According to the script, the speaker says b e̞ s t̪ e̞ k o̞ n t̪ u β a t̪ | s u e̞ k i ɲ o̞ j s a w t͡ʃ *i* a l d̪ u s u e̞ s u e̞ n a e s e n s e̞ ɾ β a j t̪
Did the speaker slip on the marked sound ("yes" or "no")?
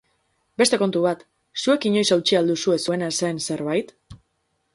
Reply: no